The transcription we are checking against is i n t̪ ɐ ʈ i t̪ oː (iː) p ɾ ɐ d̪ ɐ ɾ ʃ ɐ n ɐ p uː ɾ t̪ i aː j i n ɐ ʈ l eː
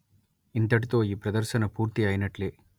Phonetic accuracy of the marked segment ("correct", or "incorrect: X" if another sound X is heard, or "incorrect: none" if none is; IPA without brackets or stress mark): correct